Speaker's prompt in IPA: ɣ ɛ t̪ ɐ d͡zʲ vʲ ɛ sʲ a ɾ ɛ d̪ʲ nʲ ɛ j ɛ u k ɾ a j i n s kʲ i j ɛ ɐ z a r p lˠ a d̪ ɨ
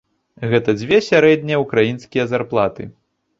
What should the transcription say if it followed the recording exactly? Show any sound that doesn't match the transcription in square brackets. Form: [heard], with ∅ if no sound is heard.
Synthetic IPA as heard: ɣ ɛ t̪ ɐ d͡zʲ vʲ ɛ sʲ a ɾ ɛ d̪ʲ nʲ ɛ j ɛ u k ɾ a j i n s kʲ i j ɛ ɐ z a r p lˠ a [t̪] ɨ